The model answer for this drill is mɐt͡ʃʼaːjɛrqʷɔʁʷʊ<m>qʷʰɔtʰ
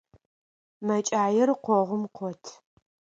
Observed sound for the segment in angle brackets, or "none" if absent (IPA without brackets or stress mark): m